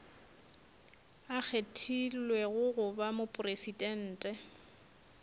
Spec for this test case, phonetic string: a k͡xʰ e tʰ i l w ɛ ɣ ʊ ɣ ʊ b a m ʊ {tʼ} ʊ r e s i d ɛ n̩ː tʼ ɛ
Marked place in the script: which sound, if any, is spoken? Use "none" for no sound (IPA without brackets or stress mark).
pʼ